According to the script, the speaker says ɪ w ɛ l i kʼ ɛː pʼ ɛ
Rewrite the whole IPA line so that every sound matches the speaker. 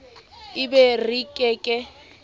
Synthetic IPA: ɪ b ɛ r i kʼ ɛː kʼ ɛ